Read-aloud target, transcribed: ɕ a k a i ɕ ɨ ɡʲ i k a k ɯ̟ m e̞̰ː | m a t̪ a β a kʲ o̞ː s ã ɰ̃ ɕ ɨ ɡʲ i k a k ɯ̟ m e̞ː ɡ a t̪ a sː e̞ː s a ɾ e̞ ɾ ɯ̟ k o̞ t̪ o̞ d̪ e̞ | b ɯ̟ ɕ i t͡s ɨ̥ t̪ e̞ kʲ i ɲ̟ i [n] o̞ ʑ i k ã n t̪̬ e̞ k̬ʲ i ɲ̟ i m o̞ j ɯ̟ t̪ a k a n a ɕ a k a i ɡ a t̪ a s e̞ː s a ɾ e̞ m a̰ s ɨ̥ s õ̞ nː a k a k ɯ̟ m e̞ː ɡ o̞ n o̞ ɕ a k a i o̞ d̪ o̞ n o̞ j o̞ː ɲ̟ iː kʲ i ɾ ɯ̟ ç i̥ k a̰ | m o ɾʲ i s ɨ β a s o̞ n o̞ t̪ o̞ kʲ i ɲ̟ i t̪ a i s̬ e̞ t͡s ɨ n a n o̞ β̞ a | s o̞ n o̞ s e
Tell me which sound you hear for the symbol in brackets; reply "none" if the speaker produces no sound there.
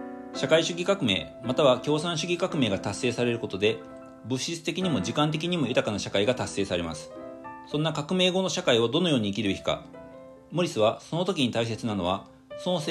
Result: m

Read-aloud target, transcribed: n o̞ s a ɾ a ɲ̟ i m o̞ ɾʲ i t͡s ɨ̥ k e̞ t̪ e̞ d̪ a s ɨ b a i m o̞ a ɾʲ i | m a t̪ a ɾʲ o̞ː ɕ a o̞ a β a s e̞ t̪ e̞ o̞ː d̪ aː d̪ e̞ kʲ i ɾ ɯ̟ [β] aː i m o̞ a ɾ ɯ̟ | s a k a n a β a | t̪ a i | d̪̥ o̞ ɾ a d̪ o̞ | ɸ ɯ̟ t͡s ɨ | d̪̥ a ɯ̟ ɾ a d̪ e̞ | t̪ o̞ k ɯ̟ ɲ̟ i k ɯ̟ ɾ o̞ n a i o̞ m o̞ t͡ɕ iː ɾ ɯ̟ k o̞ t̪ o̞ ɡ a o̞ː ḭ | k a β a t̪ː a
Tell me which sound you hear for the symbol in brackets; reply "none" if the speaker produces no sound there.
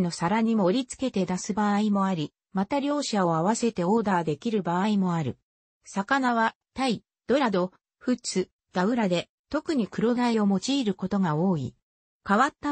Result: b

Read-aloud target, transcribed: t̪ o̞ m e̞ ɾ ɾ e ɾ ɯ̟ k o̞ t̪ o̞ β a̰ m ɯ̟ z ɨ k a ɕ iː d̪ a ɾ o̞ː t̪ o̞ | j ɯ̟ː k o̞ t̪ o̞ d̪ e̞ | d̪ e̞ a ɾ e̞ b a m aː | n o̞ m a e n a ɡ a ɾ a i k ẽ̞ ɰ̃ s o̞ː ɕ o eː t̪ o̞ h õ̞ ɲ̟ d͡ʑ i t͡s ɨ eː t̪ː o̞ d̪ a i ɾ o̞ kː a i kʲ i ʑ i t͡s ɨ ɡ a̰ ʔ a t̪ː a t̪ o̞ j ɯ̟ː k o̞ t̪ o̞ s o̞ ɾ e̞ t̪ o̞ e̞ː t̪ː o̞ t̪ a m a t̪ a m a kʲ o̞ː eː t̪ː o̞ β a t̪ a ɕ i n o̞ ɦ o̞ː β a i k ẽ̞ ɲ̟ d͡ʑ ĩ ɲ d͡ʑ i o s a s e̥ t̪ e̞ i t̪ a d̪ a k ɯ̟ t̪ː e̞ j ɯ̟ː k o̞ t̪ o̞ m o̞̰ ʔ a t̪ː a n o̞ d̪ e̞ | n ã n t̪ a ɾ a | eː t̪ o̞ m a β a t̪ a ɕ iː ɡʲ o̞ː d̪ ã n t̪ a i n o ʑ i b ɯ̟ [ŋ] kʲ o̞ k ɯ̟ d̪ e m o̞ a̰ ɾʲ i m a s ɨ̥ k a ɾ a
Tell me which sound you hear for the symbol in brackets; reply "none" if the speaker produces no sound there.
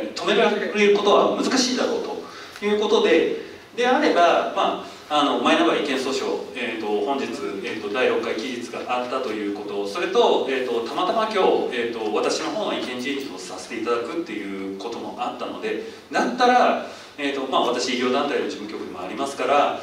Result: ŋ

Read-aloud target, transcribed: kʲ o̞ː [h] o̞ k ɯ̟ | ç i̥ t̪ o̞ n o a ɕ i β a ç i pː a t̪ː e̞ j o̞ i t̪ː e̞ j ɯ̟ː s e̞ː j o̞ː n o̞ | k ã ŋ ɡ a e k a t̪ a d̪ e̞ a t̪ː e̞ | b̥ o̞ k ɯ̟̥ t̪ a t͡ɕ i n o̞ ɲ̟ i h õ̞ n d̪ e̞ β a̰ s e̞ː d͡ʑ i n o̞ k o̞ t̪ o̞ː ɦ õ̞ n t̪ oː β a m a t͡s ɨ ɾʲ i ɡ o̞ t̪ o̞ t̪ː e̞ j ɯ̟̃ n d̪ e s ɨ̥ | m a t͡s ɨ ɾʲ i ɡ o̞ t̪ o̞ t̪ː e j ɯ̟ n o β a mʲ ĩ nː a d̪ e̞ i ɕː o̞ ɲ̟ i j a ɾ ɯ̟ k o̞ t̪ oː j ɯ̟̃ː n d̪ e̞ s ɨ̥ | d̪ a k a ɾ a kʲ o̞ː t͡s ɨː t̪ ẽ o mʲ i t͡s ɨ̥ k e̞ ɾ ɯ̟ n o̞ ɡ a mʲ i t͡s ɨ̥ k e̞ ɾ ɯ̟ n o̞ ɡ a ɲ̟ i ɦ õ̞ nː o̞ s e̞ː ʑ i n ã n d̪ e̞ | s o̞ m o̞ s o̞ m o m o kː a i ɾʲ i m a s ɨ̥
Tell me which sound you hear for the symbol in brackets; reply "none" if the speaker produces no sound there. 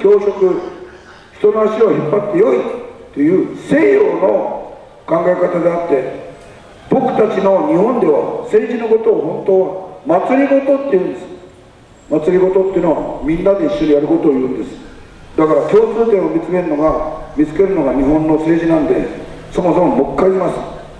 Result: ɕ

